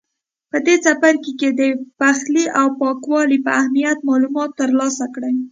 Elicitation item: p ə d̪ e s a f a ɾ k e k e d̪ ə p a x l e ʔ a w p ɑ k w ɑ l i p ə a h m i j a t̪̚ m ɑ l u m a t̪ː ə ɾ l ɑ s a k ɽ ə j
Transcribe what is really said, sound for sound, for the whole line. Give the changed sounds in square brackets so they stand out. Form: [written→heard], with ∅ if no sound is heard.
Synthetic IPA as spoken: p ə d̪ e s a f a ɾ k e k e d̪ ə p a x l [e→i] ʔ a w p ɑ k w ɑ l i p ə a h m i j a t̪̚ m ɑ l u m [a→ɑ] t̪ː ə ɾ l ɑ s a k ɽ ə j